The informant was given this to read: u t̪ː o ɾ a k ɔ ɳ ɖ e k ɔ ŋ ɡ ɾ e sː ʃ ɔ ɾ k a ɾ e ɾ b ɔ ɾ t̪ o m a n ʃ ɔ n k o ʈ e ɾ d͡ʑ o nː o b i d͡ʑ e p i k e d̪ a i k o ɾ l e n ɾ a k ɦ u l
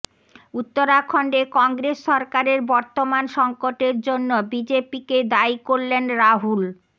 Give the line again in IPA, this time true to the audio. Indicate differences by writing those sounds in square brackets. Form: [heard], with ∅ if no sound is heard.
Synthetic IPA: u t̪ː o ɾ a [kʰ] ɔ ɳ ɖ e k ɔ ŋ ɡ ɾ e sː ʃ ɔ ɾ k a ɾ e ɾ b ɔ ɾ t̪ o m a n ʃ ɔ [ŋ] k o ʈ e ɾ d͡ʑ o nː o b i d͡ʑ e p i k e d̪ a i k o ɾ l e n ɾ a [∅] ɦ u l